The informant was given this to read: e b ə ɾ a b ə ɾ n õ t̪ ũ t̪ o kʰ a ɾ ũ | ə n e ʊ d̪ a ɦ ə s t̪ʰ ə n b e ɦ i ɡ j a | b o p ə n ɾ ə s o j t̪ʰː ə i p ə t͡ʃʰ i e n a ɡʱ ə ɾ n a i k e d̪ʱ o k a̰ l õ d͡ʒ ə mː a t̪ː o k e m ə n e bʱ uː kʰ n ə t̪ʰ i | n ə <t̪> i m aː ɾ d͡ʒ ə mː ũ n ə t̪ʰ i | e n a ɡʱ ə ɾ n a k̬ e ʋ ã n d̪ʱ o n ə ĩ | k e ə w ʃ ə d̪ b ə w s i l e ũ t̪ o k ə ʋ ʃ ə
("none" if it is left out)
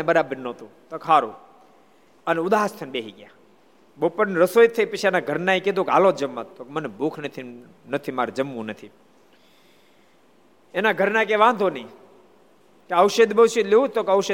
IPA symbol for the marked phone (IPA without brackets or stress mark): t̪ʰ